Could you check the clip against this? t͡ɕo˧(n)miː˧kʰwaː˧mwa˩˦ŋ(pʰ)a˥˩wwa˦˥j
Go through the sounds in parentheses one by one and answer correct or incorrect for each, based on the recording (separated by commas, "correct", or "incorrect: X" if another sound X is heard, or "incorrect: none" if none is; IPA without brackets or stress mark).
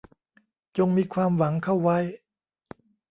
incorrect: ŋ, incorrect: kʰ